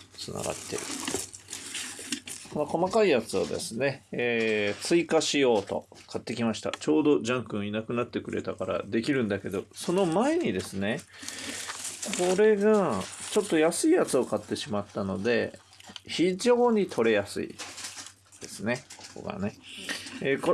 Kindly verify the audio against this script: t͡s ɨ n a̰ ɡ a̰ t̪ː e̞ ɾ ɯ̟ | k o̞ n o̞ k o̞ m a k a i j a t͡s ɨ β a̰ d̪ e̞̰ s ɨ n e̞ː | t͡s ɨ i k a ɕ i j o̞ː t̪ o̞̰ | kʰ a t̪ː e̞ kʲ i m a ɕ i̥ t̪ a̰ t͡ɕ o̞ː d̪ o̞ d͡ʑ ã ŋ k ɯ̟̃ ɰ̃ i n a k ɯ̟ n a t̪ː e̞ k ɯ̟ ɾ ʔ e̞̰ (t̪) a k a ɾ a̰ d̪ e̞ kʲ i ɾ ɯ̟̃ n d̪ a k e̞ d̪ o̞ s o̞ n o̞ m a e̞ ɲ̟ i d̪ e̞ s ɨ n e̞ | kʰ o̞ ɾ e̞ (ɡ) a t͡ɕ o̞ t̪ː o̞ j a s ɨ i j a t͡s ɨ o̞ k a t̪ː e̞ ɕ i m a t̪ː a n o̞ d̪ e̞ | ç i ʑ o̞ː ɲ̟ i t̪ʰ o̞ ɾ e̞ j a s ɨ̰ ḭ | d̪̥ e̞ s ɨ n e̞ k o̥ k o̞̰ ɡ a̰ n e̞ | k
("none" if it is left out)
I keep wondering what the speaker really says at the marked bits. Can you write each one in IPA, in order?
t̪, ɡ

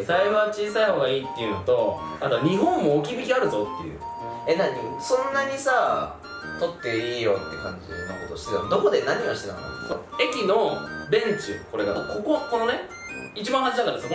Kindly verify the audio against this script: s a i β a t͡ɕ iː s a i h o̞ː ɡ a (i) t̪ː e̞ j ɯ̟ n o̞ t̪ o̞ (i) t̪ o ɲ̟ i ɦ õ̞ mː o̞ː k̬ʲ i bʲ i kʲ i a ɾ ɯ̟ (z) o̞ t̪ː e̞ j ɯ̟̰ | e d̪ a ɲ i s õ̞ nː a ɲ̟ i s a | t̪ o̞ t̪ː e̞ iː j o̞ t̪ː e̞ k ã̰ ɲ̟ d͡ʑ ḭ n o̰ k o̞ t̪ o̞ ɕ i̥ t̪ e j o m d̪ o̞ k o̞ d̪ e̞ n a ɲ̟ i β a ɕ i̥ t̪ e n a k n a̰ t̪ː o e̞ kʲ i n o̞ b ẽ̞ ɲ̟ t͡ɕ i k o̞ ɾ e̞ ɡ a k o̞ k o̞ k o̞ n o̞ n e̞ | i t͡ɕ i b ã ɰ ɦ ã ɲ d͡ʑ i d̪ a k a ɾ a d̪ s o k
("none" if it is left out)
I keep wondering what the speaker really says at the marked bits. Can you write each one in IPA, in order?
iː, a, z

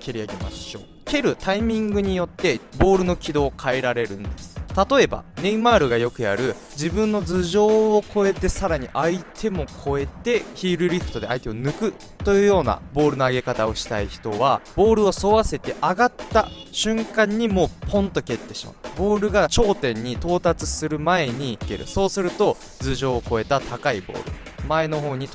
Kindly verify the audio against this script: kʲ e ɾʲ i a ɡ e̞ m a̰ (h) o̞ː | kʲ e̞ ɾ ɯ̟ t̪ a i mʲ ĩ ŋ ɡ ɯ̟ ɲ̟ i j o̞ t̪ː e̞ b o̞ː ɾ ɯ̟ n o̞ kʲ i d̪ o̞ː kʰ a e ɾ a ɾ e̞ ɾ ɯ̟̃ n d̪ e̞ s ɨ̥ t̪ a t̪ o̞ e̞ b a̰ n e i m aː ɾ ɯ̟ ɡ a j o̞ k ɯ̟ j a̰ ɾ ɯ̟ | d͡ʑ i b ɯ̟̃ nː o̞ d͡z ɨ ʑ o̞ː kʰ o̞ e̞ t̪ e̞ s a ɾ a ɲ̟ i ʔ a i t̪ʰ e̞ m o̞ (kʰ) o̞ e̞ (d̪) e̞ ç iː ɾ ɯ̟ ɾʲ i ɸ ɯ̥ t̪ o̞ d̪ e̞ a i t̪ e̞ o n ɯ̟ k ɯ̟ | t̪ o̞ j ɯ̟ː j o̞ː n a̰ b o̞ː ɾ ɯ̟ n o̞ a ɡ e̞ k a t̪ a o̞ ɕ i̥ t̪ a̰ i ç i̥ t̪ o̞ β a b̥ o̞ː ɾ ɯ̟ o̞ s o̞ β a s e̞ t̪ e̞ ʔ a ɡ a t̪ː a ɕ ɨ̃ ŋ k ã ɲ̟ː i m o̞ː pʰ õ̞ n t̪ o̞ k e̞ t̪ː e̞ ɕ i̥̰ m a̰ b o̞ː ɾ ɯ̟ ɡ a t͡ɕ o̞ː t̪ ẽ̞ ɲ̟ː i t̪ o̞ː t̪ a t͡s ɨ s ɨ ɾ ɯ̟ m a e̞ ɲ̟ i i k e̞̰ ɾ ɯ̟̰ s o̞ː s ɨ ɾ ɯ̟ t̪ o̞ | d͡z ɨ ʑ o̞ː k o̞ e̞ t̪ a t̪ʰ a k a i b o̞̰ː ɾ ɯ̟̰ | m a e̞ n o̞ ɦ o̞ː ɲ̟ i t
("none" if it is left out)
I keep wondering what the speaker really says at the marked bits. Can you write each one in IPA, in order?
ɕ, kʰ, t̪

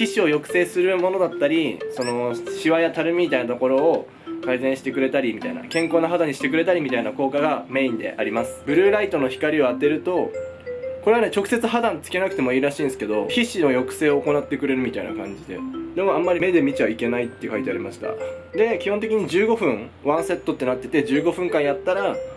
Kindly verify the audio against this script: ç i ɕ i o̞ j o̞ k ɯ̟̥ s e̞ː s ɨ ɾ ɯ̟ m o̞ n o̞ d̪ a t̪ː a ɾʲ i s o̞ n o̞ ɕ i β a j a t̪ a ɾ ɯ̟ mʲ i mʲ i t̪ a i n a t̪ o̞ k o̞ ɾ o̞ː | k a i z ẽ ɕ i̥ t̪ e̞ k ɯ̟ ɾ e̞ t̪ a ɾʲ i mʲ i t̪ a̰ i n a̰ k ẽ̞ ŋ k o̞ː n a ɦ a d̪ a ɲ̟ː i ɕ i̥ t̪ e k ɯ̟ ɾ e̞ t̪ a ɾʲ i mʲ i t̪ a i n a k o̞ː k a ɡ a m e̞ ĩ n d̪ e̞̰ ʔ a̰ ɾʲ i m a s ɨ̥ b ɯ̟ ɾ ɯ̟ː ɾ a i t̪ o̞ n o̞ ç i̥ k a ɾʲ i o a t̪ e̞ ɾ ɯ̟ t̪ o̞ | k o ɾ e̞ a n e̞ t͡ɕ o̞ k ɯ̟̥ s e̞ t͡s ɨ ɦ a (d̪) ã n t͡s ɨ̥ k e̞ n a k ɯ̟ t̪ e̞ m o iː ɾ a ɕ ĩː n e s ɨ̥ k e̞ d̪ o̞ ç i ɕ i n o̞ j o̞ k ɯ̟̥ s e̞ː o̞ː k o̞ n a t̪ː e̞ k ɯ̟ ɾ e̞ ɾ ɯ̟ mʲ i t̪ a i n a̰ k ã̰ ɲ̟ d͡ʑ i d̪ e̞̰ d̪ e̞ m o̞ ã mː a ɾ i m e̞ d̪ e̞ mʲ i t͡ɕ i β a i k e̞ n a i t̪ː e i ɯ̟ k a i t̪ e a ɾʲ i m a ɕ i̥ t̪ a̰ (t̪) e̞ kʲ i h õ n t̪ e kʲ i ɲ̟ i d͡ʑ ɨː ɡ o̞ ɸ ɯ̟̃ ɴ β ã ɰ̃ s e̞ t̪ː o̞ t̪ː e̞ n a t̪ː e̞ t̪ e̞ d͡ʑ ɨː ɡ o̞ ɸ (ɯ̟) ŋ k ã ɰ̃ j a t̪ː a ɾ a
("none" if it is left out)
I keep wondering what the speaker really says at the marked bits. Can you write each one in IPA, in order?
d̪, d̪, ɯ̟̃

